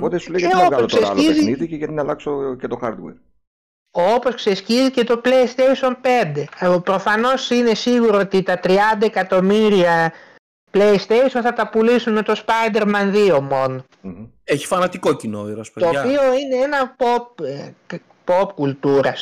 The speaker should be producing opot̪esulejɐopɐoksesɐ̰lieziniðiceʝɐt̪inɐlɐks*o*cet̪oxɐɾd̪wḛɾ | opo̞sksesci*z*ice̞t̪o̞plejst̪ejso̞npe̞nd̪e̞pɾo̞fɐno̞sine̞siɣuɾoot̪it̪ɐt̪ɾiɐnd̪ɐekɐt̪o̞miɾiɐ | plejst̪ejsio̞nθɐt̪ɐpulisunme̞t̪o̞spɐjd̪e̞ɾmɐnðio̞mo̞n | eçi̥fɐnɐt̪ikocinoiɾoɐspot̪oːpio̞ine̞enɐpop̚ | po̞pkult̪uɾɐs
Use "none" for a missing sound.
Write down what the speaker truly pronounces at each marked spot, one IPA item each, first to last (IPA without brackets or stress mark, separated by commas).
o, z